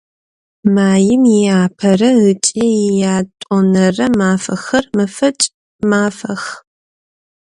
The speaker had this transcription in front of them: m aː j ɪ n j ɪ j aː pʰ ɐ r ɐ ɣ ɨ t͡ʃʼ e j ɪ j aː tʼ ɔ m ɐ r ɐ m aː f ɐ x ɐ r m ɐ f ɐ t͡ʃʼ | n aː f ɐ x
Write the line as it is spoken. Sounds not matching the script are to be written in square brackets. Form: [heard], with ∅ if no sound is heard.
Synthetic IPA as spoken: m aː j ɪ [m] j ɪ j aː pʰ ɐ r ɐ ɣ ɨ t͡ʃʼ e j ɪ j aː tʼ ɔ [n] ɐ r ɐ m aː f ɐ x ɐ r m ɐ f ɐ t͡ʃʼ | [m] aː f ɐ x